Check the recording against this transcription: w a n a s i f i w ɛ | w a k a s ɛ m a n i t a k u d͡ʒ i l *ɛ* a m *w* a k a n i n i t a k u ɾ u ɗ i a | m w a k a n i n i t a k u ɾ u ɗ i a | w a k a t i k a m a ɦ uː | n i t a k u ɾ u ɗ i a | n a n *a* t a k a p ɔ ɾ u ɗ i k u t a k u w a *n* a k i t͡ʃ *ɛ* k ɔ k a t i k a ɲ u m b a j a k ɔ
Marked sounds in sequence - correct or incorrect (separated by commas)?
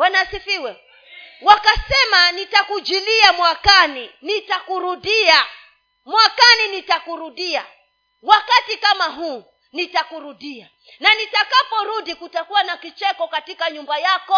incorrect, correct, incorrect, correct, correct